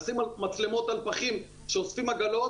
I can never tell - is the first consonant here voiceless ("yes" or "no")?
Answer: yes